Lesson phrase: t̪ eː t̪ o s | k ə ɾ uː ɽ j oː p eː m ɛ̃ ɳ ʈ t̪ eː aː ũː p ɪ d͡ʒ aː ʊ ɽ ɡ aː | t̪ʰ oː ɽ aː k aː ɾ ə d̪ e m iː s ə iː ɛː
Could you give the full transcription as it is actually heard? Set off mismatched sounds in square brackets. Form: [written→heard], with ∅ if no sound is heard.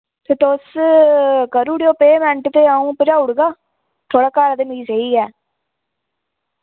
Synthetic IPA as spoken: t̪ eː t̪ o s | k ə ɾ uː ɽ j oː p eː m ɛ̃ ɳ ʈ t̪ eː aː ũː p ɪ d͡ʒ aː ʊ ɽ ɡ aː | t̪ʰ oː ɽ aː k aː ɾ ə d̪ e m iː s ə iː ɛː